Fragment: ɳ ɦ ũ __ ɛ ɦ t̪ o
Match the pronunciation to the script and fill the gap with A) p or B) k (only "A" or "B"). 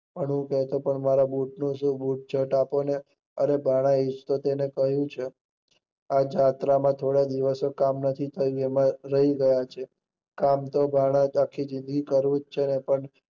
B